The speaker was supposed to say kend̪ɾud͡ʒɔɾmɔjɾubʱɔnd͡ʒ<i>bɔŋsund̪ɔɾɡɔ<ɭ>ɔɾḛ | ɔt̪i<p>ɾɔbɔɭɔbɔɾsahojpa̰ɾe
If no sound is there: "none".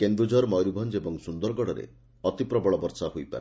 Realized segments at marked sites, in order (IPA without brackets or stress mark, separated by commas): e, ɽ, p